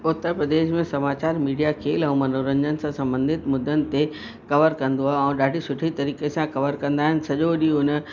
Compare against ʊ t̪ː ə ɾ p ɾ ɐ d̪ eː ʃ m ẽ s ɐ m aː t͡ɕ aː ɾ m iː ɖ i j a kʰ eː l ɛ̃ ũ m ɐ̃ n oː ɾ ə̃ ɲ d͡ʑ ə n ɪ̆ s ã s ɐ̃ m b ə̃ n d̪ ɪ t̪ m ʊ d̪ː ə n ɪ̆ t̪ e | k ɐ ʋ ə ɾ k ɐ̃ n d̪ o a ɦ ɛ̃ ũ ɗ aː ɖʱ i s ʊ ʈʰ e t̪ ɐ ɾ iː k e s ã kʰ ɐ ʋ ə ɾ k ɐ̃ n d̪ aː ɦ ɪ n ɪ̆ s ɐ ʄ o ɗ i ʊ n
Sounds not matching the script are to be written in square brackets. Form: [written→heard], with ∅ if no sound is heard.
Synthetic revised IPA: ʊ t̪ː ə ɾ p ɾ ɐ d̪ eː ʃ m ẽ s ɐ m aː t͡ɕ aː ɾ m iː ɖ i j a kʰ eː l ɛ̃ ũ m [ɐ̃→ɐ] n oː ɾ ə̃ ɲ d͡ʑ ə n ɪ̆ s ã s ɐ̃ m b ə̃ n d̪ ɪ t̪ m ʊ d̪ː ə n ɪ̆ t̪ e | k ɐ ʋ ə ɾ k ɐ̃ n d̪ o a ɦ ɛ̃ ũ ɗ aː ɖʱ i s ʊ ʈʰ [e→i] t̪ ɐ ɾ iː k e s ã [kʰ→k] ɐ ʋ ə ɾ k ɐ̃ n d̪ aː ɦ ɪ n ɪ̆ s ɐ ʄ o ɗ i ʊ n